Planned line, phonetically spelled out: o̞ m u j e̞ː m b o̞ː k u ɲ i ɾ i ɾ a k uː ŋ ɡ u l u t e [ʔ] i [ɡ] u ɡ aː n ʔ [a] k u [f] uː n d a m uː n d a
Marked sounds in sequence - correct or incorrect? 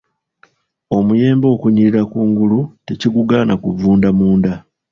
incorrect, correct, correct, incorrect

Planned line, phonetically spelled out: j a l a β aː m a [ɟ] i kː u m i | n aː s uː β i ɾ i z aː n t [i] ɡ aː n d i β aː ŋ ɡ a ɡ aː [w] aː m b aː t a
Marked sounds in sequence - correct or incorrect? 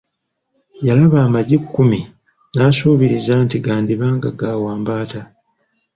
correct, correct, correct

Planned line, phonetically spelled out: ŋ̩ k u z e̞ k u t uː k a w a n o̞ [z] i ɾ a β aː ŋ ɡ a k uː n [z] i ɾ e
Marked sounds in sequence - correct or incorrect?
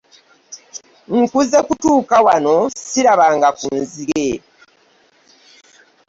incorrect, correct

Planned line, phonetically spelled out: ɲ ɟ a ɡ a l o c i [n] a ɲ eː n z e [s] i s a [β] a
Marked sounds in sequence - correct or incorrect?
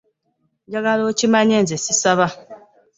incorrect, correct, correct

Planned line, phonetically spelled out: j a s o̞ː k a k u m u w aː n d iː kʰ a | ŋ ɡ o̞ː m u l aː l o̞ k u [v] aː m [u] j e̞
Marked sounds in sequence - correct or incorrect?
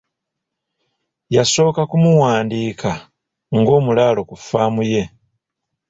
incorrect, correct

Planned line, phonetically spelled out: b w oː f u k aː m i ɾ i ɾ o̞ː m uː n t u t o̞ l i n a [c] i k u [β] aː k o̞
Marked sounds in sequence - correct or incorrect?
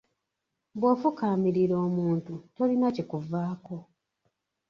correct, incorrect

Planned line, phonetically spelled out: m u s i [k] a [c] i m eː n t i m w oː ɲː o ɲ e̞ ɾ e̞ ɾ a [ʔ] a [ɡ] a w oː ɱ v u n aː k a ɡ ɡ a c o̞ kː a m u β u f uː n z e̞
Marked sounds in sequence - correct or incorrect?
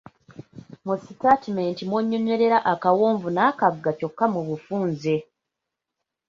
incorrect, incorrect, correct, incorrect

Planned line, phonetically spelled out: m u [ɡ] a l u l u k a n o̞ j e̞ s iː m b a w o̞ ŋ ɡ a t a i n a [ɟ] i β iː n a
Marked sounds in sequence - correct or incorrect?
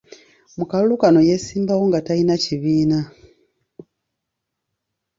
incorrect, incorrect

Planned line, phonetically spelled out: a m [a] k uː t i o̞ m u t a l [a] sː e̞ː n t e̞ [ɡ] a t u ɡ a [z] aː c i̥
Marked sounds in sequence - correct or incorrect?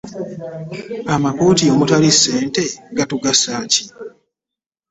correct, incorrect, correct, incorrect

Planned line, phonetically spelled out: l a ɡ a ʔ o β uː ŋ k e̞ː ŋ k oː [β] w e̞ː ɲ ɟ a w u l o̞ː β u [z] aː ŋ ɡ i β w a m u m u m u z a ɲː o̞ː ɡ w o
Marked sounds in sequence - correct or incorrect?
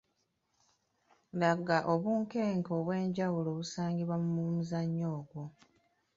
correct, incorrect

